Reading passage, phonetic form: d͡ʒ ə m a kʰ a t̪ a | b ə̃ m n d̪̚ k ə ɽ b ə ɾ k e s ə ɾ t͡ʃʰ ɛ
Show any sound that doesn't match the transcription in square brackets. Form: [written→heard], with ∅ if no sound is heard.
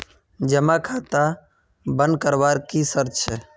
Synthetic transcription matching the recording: d͡ʒ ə m a kʰ a t̪ a | b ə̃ [m→∅] n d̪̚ k ə [ɽ→ɾ] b [ə→a] ɾ k [e→i] s ə ɾ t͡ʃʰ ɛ

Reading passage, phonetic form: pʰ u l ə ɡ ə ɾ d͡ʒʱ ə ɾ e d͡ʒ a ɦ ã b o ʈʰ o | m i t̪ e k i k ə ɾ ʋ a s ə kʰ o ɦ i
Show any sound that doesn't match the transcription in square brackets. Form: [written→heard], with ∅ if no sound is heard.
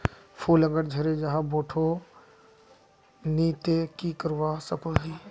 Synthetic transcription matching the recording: pʰ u l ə ɡ ə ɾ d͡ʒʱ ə ɾ e d͡ʒ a ɦ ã b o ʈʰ o | [m→n] i t̪ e k i k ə ɾ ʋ a s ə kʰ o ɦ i

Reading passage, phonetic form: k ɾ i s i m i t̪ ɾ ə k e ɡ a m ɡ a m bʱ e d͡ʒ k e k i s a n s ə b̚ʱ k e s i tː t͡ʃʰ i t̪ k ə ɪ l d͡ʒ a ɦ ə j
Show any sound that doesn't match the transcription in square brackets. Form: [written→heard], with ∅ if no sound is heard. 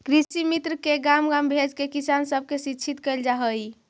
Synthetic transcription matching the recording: k ɾ i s i m i t̪ ɾ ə k e ɡ a m ɡ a m bʱ e d͡ʒ k e k i s a n s ə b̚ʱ k e s i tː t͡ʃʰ i t̪ k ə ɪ l d͡ʒ a ɦ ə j

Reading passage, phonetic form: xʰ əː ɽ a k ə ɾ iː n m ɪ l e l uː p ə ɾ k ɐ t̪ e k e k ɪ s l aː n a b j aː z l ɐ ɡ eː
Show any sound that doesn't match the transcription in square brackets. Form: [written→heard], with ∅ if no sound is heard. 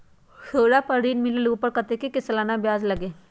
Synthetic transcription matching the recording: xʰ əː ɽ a [k→p] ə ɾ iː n m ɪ l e l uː p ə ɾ k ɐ t̪ e k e k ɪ s l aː n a b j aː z l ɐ ɡ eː

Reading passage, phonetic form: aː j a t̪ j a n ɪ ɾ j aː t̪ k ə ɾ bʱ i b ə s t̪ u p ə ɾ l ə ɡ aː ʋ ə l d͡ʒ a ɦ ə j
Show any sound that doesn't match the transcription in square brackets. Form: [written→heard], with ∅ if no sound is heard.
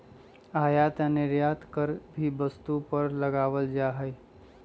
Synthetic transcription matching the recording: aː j a t̪ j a n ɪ ɾ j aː t̪ k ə ɾ bʱ i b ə s t̪ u p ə ɾ l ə ɡ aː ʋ ə l d͡ʒ a ɦ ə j

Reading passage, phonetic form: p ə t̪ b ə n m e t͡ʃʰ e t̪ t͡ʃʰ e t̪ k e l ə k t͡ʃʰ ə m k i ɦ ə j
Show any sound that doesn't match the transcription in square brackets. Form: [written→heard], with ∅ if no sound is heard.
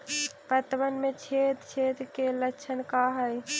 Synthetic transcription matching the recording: p ə t̪ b ə n m e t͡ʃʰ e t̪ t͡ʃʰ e t̪ k e l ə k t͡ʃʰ ə [m→n] k [i→a] ɦ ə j

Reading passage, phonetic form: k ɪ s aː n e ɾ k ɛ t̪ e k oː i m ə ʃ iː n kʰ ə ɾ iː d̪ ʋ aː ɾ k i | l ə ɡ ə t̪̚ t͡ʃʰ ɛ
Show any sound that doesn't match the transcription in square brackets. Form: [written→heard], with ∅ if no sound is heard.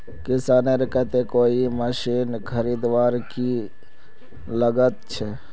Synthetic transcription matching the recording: k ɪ s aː n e ɾ k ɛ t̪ e k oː i m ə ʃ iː n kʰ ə ɾ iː d̪ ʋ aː ɾ k i | l ə ɡ ə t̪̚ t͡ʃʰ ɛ

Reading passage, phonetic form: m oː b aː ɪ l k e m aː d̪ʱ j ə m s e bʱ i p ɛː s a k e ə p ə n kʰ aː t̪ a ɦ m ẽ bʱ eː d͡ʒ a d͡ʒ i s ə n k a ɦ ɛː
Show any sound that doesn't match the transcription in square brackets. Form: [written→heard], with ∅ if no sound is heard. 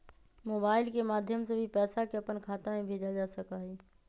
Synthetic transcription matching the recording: m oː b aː ɪ l k e m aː d̪ʱ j ə m s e bʱ i p ɛː s a k e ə p ə n kʰ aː t̪ a [ɦ→∅] m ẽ bʱ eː d͡ʒ a d͡ʒ [i→a] s ə [n→∅] k a ɦ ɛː

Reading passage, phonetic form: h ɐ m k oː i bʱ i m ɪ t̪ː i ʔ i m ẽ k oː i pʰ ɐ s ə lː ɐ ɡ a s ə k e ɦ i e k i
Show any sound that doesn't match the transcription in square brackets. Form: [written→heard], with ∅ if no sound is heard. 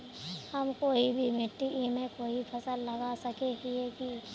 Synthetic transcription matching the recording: h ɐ m k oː i bʱ i m ɪ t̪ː i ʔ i m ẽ k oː i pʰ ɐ s ə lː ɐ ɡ a s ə k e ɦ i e k i

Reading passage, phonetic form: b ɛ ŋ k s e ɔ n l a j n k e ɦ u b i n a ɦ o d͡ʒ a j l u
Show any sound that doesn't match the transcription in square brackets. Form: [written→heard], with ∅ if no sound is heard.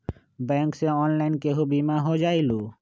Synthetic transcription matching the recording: b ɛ ŋ k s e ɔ n l a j n k e ɦ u b i [n→m] a ɦ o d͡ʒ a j l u

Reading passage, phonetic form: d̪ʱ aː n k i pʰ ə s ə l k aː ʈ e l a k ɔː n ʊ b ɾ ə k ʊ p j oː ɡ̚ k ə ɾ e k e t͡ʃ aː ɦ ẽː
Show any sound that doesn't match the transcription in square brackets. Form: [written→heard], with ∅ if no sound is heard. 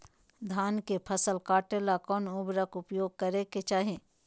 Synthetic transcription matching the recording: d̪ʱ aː n k [i→e] pʰ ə s ə l k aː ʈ e l a k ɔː n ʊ b ɾ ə k ʊ p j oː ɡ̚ k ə ɾ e k e t͡ʃ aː ɦ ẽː

